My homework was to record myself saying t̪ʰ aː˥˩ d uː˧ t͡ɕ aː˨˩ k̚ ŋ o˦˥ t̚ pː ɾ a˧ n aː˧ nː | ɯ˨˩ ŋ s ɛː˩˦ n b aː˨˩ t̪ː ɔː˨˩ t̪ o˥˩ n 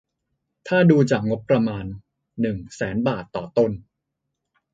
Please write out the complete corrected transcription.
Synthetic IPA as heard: t̪ʰ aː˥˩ d uː˧ t͡ɕ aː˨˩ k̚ ŋ o˦˥ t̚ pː ɾ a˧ m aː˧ nː | ɯ˨˩ ŋ s ɛː˩˦ n b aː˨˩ t̪ː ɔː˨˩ t̪ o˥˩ n